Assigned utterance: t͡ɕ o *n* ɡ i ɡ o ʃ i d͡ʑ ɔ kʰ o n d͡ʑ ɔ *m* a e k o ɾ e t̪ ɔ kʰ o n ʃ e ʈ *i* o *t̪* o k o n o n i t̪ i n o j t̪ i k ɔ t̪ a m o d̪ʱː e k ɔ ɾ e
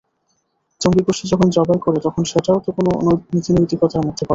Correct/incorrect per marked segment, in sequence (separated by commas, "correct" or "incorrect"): incorrect, incorrect, incorrect, correct